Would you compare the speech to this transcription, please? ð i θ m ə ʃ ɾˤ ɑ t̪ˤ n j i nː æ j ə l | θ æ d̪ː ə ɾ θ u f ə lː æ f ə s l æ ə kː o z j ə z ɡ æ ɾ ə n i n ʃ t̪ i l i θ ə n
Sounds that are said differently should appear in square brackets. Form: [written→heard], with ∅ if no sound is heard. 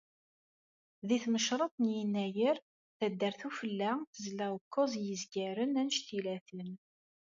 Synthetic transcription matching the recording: ð i θ m ə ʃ ɾˤ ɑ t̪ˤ n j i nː æ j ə [l→ɾ] | θ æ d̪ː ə ɾ θ u f ə lː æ [f→θ] ə [s→z] l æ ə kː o z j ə z ɡ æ ɾ ə n [i→æ] n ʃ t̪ i l [i→æ] θ ə n